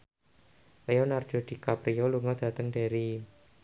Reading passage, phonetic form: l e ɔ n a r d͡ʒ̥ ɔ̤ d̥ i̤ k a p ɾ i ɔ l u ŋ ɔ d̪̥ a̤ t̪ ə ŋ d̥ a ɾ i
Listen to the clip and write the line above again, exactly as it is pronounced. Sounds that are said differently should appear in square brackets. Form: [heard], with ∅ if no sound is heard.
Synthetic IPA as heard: l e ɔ n a r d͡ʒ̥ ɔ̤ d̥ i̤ k a p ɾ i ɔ l u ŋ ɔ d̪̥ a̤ t̪ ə ŋ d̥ a ɾ i